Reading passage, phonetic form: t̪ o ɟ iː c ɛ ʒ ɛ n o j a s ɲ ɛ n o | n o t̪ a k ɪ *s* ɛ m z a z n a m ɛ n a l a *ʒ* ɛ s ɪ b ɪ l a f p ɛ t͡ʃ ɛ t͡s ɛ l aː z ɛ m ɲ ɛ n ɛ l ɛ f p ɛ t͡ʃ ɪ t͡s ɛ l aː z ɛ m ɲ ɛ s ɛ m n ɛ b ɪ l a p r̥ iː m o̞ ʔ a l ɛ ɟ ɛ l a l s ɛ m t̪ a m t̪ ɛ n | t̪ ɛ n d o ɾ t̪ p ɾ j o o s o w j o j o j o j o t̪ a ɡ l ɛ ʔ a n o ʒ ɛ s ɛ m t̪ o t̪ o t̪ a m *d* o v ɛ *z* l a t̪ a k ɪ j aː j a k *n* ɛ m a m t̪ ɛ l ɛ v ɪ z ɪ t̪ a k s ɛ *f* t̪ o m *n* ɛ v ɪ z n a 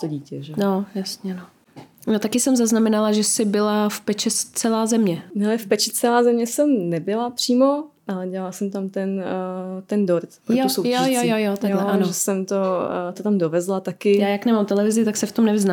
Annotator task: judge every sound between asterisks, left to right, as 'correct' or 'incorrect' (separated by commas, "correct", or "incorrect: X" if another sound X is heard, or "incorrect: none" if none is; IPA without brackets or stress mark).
correct, correct, correct, correct, correct, correct, correct